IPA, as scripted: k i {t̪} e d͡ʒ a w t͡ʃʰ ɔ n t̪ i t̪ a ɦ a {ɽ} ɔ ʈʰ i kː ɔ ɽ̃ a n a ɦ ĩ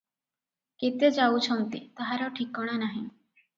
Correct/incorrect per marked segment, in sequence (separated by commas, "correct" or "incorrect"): correct, incorrect